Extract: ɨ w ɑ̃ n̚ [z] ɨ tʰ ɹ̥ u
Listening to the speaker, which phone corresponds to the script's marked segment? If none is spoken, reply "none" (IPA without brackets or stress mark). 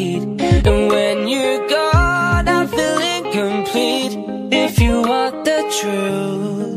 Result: ð